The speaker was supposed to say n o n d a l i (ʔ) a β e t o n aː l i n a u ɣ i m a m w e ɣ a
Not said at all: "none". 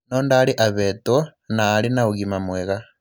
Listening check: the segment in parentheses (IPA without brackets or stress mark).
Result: ʔ